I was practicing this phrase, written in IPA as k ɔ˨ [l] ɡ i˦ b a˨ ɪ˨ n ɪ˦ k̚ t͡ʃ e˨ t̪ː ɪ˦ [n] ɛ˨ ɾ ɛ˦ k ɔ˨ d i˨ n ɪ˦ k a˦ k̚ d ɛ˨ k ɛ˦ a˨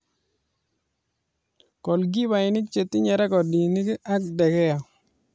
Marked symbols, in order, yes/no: yes, no

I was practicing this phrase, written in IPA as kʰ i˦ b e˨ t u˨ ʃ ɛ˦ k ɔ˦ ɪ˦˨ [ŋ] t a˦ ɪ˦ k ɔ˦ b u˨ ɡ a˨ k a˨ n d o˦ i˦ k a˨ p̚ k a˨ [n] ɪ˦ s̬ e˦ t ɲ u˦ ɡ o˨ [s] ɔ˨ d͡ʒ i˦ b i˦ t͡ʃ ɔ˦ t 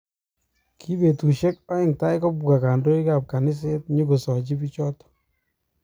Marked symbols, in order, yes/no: yes, yes, yes

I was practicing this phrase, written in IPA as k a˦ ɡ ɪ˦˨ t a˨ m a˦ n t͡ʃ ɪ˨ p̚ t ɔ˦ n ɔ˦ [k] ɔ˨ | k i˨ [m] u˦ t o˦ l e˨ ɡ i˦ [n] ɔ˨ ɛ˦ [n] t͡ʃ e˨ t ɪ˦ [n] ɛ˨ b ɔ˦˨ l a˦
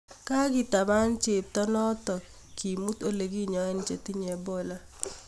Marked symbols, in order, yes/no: no, yes, no, yes, no

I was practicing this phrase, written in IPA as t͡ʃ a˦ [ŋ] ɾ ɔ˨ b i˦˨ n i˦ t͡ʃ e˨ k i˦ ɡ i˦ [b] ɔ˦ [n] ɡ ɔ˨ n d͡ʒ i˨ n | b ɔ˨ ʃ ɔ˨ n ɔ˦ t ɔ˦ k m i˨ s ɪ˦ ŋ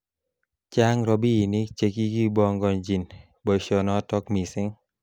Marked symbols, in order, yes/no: yes, yes, no

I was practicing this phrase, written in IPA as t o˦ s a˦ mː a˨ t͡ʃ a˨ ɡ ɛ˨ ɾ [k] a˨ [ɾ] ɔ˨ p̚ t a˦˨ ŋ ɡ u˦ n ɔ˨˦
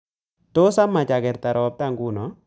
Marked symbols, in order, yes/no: no, yes

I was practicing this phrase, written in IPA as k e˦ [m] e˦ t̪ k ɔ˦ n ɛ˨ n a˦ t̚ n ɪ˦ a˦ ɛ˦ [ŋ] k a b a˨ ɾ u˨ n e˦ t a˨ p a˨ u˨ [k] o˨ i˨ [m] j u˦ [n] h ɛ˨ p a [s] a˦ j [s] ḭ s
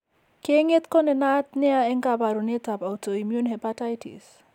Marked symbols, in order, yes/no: no, yes, no, yes, yes, no, no

